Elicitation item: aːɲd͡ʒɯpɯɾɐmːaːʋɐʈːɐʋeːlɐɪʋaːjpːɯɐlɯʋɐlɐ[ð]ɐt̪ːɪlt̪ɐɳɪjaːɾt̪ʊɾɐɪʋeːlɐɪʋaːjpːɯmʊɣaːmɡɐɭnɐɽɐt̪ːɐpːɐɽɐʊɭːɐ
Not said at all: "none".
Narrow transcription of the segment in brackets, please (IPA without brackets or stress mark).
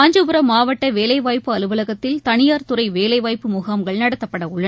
ɣ